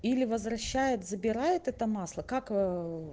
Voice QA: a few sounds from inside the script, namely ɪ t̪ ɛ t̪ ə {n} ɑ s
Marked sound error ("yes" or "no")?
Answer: yes